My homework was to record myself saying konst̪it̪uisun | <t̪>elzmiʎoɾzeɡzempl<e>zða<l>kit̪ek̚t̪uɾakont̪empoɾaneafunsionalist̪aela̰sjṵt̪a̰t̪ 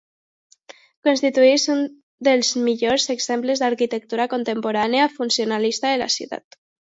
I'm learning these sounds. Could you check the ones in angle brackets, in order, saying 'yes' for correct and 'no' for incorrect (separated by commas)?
no, yes, no